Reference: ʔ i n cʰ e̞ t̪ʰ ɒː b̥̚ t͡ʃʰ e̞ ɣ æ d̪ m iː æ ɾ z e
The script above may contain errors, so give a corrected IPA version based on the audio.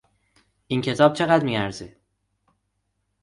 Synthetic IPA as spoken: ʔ i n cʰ e̞ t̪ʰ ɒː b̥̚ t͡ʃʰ e̞ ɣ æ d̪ m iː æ ɾ z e